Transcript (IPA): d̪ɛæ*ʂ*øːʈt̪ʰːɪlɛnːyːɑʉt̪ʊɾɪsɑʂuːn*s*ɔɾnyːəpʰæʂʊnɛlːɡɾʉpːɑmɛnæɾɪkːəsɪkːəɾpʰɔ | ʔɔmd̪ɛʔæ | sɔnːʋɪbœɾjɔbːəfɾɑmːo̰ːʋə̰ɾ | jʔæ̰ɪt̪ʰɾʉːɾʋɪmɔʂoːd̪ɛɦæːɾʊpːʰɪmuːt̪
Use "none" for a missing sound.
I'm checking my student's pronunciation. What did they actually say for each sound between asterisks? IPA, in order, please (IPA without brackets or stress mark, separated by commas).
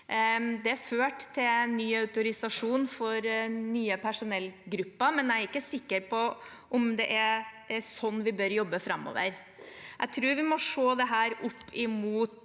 f, f